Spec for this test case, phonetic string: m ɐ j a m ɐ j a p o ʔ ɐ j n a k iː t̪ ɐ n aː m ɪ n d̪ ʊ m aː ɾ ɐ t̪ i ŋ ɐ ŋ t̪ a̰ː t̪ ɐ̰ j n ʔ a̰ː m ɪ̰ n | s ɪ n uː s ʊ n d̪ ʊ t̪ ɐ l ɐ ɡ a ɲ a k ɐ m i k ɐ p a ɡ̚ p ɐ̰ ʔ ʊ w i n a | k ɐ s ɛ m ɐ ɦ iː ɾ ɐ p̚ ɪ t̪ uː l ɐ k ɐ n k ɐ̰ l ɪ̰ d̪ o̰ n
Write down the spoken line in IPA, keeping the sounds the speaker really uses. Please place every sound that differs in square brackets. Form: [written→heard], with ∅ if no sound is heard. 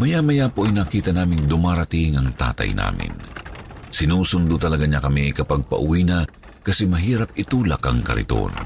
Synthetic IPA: m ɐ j a m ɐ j a p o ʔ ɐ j n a k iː t̪ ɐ n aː m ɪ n d̪ ʊ m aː ɾ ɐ t̪ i ŋ ɐ ŋ t̪ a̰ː t̪ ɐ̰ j n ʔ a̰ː m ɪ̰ n | s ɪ n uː s ʊ n d̪ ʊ t̪ ɐ l ɐ ɡ a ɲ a k ɐ m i k ɐ p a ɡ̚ p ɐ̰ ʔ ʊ w i n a | k ɐ s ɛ m ɐ ɦ iː ɾ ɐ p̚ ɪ t̪ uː l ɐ k ɐ [n→ŋ] k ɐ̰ [l→ɾ] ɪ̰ [d̪→t̪] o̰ n